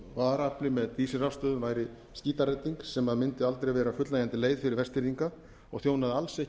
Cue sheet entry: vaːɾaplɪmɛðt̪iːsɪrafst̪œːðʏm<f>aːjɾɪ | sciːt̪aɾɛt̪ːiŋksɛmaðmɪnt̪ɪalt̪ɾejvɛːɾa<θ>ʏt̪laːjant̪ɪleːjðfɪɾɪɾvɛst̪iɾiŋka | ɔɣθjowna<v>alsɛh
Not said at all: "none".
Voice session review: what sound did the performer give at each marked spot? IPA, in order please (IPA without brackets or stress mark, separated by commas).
v, f, ð